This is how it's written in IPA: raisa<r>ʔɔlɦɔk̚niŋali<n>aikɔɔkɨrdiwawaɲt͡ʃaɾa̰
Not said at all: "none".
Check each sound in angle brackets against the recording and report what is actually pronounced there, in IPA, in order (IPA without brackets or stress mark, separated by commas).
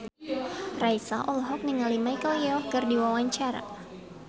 none, m